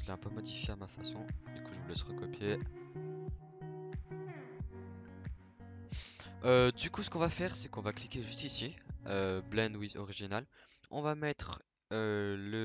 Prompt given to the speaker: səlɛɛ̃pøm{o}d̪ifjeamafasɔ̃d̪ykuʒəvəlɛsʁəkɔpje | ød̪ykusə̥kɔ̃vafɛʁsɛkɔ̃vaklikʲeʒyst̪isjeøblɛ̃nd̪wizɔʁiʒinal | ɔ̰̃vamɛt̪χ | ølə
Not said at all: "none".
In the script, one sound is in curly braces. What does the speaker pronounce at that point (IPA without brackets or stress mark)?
ɔ